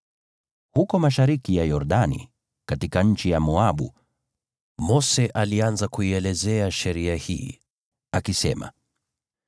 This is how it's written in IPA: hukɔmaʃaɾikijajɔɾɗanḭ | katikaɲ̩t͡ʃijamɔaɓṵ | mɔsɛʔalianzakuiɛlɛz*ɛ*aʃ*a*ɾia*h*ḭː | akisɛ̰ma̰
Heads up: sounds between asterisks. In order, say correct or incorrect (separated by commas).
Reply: correct, incorrect, correct